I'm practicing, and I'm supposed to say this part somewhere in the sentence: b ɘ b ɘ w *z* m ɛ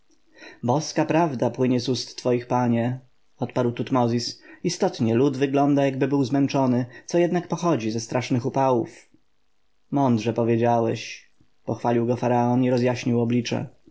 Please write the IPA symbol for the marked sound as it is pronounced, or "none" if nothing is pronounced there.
z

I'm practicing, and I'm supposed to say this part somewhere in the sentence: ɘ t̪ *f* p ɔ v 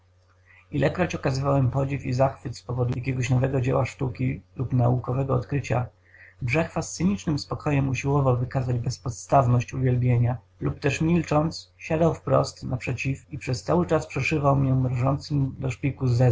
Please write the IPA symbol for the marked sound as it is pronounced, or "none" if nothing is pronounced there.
s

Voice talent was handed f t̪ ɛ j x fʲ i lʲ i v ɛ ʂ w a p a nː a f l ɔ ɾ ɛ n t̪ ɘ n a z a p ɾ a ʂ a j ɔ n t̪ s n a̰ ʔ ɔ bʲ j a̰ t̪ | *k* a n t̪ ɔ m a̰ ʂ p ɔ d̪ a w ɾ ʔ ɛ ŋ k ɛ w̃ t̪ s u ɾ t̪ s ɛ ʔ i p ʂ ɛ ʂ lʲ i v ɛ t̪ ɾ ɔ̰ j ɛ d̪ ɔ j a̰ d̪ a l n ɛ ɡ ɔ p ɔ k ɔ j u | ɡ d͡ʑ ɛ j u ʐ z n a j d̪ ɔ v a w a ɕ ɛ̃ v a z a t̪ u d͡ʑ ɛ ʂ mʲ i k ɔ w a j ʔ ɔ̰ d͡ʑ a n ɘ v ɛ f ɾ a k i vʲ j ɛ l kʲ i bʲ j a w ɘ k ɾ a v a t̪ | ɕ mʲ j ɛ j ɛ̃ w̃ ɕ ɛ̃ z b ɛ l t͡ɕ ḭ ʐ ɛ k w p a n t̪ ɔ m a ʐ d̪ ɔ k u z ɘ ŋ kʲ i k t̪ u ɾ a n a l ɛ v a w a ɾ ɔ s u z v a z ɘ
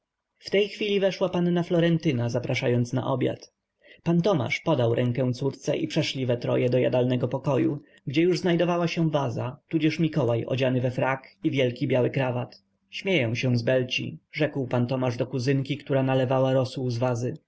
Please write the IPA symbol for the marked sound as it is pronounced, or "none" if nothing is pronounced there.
p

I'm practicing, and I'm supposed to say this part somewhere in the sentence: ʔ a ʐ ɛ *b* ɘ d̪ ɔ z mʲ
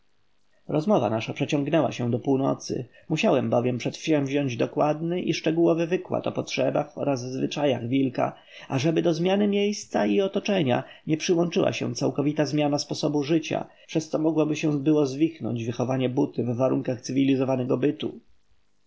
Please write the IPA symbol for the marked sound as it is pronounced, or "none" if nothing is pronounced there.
b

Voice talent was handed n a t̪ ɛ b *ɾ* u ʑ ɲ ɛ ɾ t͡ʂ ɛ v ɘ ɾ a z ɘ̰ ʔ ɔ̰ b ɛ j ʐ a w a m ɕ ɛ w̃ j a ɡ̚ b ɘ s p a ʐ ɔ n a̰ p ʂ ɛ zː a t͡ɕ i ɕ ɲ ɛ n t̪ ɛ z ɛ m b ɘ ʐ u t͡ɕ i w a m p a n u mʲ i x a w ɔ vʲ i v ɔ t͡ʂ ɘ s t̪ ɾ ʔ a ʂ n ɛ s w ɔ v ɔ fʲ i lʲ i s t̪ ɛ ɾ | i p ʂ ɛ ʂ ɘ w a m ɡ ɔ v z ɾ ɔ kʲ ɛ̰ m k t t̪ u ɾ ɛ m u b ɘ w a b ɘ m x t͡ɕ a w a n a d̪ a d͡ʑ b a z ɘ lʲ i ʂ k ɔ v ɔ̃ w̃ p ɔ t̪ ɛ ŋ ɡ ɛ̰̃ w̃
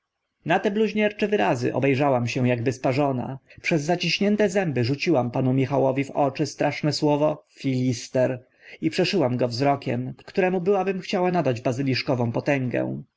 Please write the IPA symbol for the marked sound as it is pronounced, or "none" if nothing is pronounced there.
l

